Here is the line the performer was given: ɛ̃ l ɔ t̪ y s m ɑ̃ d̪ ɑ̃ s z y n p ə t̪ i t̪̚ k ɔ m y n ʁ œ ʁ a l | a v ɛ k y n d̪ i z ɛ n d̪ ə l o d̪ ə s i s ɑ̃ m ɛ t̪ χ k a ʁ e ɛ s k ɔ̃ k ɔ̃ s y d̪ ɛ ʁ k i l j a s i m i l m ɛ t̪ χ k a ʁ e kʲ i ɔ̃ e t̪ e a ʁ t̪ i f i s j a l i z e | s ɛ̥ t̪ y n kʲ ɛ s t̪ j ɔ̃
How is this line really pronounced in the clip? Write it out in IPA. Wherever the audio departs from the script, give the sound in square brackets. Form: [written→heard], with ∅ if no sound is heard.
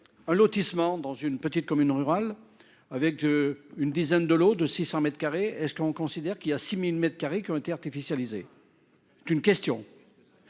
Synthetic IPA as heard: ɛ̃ l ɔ t̪ [y→i] s m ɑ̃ d̪ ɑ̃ [s→∅] z y n p ə t̪ i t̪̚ k ɔ m y n ʁ [œ→y] ʁ a l | a v ɛ k y n d̪ i z ɛ n d̪ ə l o d̪ ə s i s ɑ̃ m ɛ t̪ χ k a ʁ e ɛ s k ɔ̃ k ɔ̃ s [y→i] d̪ ɛ ʁ k i l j a s i m i l m ɛ t̪ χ k a ʁ e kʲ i ɔ̃ e t̪ e a ʁ t̪ i f i s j a l i z e | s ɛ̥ t̪ y n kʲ ɛ s t̪ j ɔ̃